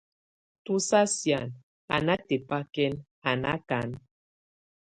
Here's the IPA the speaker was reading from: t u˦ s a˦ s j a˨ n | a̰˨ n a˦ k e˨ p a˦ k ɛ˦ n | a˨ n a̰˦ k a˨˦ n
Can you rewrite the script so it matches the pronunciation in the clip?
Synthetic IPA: t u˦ s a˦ s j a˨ n | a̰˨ n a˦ t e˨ p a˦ k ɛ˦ n | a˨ n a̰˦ k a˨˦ n

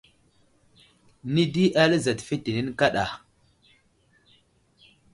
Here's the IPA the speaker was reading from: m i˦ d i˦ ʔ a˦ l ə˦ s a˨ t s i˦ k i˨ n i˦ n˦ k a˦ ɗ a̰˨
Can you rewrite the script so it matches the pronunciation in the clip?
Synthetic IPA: n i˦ d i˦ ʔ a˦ l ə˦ z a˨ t f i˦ t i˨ n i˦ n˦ k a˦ ɗ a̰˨

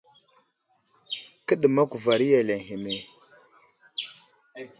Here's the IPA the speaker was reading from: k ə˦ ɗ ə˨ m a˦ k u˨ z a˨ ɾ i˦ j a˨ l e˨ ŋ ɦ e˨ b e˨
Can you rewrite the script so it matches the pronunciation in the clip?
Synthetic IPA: k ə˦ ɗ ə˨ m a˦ k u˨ v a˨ ɾ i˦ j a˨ l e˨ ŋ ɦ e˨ m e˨

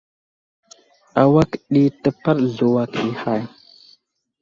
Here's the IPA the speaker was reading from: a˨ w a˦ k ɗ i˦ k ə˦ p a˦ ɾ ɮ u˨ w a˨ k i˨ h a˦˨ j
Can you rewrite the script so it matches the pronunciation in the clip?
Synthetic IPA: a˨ w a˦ k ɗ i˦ t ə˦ p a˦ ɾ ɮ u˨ w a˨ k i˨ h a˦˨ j

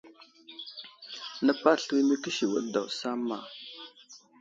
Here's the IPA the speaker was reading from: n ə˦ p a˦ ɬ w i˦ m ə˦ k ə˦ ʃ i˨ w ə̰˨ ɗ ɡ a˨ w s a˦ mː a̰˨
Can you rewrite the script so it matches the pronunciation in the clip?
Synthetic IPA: n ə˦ p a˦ ɬ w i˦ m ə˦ k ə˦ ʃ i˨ w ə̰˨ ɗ d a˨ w s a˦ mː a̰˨

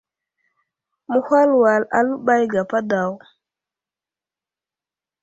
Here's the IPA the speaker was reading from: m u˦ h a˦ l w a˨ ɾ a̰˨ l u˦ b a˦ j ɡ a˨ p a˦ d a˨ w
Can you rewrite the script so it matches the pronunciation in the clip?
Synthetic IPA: m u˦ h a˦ l w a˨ l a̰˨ l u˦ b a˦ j ɡ a˨ p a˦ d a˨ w

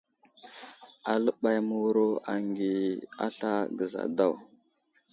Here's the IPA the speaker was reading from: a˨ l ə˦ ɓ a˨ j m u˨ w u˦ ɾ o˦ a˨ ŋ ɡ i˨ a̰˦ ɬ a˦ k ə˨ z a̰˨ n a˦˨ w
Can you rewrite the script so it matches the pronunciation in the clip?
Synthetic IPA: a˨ l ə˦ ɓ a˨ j m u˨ w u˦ ɾ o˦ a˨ ŋ ɡ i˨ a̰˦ ɬ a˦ ɡ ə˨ z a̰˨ d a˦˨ w

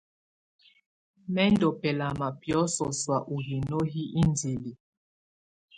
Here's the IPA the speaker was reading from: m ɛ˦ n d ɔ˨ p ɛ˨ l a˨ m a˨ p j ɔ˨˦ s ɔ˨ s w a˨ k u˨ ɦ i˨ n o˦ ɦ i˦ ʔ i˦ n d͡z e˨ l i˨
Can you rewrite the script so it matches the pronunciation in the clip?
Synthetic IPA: m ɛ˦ n d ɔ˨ p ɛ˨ l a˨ m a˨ p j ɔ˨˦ s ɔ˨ s w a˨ ʔ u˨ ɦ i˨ n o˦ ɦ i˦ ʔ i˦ n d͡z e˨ l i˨

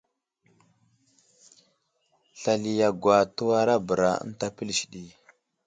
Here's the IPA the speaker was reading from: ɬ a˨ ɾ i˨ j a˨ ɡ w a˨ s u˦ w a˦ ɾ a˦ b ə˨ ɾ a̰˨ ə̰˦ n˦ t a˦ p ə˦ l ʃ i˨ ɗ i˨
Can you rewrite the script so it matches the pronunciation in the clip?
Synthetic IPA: ɬ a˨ l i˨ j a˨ ɡ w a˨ t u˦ w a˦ ɾ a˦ b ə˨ ɾ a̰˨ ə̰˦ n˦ t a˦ p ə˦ l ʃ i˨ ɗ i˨

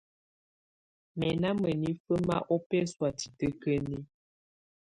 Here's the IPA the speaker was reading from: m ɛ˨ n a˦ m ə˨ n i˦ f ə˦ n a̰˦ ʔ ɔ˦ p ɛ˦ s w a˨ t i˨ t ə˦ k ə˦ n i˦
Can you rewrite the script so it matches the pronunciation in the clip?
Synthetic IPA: m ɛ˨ n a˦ m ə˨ n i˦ f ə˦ m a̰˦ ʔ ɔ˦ p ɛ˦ s w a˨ t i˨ t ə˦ k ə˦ n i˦

